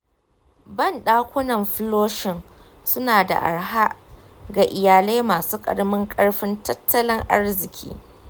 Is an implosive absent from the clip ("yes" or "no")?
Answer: no